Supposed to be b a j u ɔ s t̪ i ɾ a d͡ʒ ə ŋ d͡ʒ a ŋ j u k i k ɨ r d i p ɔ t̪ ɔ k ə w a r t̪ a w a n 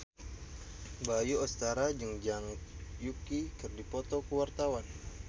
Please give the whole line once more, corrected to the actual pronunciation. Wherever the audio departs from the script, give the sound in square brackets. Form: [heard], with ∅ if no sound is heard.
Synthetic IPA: b a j u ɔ s t̪ [a] ɾ a d͡ʒ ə ŋ d͡ʒ a ŋ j u k i k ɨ r d i p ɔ t̪ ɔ k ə w a r t̪ a w a n